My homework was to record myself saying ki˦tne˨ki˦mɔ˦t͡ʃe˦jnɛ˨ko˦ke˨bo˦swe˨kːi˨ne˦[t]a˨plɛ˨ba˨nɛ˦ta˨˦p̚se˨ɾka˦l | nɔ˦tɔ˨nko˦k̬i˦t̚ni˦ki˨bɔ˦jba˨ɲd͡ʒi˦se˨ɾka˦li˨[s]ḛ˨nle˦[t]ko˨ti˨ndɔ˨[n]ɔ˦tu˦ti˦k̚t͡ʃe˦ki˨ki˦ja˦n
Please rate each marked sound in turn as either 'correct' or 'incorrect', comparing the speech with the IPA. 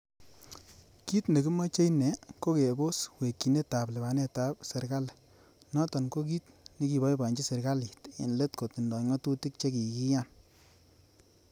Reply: correct, incorrect: t, correct, incorrect: ŋ

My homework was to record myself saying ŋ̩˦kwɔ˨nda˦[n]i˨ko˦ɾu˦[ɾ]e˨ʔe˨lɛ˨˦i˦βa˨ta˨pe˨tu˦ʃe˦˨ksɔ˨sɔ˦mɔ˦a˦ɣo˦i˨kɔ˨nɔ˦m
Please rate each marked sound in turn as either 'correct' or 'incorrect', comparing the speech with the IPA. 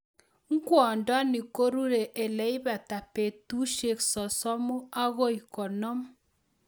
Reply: correct, correct

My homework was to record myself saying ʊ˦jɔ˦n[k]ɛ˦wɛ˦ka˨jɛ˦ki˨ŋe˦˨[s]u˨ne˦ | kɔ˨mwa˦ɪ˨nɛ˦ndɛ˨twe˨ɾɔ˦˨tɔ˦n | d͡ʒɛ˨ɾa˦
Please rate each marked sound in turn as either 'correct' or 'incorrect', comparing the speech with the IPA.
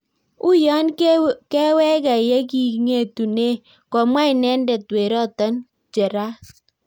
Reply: correct, incorrect: t

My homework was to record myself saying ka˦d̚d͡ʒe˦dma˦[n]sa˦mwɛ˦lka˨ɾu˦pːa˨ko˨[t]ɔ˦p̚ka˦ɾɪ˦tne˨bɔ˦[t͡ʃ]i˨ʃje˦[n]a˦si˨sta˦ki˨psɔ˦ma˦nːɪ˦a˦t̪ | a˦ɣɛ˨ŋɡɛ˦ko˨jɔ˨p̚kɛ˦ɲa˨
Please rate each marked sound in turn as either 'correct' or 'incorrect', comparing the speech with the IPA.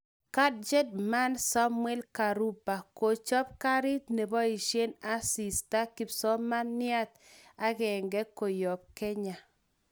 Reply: correct, incorrect: t͡ʃ, incorrect: none, correct

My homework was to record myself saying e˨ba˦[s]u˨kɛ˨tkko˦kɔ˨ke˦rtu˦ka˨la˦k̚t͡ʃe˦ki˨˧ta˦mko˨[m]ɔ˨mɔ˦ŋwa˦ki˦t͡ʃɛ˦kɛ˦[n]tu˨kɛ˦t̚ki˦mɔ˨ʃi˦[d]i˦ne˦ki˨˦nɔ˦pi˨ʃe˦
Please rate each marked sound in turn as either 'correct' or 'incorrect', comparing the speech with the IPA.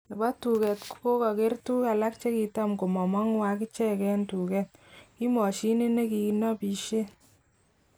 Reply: incorrect: t, correct, correct, incorrect: n

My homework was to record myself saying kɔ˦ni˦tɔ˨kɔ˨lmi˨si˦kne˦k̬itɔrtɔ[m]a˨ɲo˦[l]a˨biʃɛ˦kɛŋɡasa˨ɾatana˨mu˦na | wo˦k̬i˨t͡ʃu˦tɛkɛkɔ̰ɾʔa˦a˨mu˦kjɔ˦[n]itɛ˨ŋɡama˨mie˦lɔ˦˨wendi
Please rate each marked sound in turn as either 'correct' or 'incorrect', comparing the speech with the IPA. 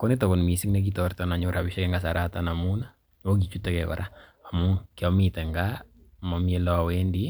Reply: incorrect: n, incorrect: ɾ, incorrect: m

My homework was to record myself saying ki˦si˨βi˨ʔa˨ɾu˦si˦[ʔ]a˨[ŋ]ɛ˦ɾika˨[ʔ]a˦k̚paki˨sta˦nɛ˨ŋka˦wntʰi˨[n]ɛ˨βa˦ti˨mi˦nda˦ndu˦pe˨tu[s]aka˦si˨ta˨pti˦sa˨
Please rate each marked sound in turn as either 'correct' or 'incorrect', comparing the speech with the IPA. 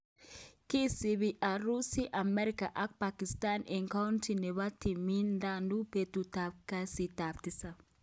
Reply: correct, incorrect: m, correct, correct, incorrect: t

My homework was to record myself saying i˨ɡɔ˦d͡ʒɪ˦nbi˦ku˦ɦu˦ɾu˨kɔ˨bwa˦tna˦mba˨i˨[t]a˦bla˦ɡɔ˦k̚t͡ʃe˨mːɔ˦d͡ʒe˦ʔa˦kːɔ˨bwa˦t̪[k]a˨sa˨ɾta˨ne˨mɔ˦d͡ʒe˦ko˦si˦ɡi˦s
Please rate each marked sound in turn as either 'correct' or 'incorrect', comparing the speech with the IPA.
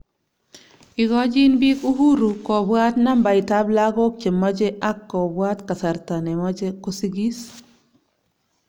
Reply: correct, correct

